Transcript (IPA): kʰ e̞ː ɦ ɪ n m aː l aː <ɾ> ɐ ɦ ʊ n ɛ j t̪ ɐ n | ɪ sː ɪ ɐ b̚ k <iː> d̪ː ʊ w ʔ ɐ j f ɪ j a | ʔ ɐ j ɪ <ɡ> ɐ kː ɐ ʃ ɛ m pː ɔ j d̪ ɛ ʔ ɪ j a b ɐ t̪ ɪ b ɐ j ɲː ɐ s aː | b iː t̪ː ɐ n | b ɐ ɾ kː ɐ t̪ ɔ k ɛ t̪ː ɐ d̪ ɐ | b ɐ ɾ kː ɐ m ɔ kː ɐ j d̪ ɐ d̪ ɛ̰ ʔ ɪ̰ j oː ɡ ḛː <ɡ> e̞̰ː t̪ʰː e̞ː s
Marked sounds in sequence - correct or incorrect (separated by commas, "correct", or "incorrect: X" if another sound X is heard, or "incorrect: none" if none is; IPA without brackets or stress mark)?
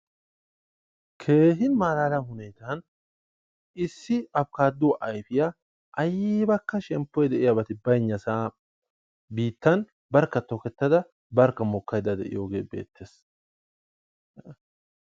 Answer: incorrect: l, incorrect: aː, incorrect: b, incorrect: b